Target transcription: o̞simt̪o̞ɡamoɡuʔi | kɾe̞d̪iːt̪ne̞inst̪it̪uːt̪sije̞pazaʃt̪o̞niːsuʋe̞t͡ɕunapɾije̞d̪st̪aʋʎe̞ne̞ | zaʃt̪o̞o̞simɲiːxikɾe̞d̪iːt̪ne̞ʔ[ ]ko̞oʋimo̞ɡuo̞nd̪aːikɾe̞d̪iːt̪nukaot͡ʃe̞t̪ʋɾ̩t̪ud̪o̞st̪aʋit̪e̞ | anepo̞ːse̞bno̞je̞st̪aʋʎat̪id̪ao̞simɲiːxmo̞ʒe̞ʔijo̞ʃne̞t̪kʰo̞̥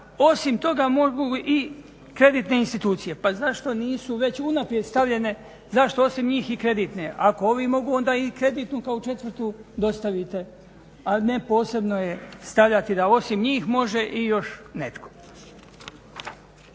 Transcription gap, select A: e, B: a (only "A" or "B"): B